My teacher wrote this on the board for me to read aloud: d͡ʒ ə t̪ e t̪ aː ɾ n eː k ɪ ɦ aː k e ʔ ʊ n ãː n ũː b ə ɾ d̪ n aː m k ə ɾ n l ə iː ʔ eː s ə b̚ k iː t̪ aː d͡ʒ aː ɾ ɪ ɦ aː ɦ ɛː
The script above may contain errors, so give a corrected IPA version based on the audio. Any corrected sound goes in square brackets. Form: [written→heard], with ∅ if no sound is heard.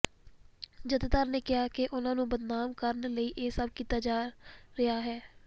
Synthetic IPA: d͡ʒ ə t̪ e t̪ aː ɾ n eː k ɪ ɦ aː k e ʔ ʊ n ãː n ũː b ə [ɾ→∅] d̪ n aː m k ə ɾ n l ə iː ʔ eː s ə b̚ k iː t̪ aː d͡ʒ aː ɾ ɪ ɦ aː ɦ ɛː

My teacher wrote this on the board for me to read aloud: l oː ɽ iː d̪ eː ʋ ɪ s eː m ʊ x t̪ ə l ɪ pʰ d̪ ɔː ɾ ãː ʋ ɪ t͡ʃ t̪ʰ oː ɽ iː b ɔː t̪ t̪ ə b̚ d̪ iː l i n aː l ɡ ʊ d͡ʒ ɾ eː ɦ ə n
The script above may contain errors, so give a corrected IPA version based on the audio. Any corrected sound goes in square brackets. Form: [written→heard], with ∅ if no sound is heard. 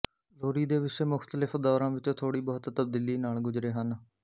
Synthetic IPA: l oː [ɽ→ɾ] iː d̪ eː ʋ ɪ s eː m ʊ x t̪ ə l ɪ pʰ d̪ ɔː ɾ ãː ʋ ɪ t͡ʃ t̪ʰ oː ɽ iː b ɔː t̪ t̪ ə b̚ d̪ iː l [i→iː] n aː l ɡ ʊ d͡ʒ ɾ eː ɦ ə n

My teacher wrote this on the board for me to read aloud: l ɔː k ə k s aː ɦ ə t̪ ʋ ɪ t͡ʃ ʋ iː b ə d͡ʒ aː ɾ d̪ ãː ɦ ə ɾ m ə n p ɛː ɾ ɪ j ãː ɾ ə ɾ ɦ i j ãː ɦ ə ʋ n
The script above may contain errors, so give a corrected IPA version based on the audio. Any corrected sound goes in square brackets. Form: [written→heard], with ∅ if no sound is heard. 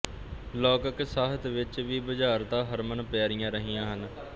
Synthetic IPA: l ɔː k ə k s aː ɦ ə t̪ ʋ ɪ t͡ʃ ʋ iː b ə d͡ʒ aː ɾ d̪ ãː ɦ ə ɾ m ə n p ɛː ɾ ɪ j ãː ɾ ə [ɾ→∅] ɦ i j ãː ɦ ə [ʋ→∅] n

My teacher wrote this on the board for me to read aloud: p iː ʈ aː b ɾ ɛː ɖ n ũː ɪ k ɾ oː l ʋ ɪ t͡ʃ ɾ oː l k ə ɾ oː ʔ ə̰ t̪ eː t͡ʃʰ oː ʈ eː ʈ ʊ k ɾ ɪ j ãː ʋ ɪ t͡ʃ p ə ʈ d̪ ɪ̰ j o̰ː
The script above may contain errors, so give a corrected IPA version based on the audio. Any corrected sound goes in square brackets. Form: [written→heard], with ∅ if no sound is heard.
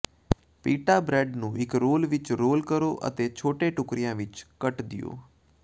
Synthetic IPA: p iː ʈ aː b ɾ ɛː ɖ n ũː ɪ k ɾ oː l ʋ ɪ t͡ʃ ɾ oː l k ə ɾ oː ʔ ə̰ t̪ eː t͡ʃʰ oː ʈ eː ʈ ʊ k ɾ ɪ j ãː ʋ ɪ t͡ʃ [p→k] ə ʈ d̪ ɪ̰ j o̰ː

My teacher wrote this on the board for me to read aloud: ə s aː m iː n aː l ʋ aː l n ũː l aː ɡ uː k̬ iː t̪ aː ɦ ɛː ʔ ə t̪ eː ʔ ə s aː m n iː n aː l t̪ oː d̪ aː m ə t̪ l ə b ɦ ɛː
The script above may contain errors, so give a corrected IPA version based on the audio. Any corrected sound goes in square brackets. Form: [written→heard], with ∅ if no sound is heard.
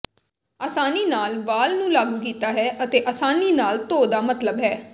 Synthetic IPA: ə s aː [m→n] iː n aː l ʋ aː l n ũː l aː ɡ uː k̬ iː t̪ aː ɦ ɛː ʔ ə t̪ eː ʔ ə s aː [m→∅] n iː n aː l t̪ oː d̪ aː m ə t̪ l ə b ɦ ɛː

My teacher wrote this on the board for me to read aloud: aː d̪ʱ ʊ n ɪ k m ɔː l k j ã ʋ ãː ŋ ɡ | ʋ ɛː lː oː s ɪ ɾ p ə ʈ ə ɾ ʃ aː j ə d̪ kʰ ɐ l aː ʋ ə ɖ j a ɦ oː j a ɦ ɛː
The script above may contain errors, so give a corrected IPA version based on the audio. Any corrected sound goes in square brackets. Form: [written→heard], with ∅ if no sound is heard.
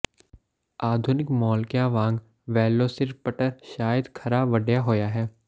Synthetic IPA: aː d̪ʱ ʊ n ɪ k m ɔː l k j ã ʋ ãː ŋ ɡ | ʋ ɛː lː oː s ɪ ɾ p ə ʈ ə ɾ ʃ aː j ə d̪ kʰ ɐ [l→ɾ] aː ʋ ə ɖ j a ɦ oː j a ɦ ɛː

